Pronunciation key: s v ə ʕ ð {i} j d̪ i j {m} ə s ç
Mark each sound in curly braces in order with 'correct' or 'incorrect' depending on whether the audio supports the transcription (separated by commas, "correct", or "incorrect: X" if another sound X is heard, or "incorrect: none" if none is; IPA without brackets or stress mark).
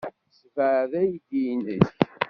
incorrect: æ, incorrect: n